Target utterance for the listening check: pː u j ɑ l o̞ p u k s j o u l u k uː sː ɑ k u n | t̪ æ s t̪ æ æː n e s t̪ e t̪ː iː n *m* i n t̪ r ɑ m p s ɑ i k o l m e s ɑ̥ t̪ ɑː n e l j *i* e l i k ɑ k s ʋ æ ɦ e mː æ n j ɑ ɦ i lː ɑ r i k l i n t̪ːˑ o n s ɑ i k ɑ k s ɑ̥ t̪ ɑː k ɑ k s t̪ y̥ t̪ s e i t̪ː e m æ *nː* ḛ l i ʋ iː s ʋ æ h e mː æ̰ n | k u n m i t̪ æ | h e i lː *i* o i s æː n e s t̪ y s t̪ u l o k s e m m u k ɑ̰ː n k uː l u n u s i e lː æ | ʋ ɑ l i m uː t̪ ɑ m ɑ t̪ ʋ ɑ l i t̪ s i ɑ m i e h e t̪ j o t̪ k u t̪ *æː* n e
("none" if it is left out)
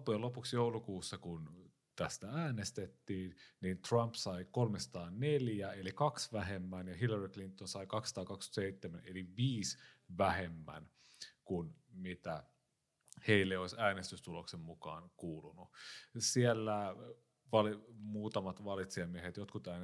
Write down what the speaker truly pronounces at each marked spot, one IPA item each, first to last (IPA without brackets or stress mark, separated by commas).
n, æ, n, e, æː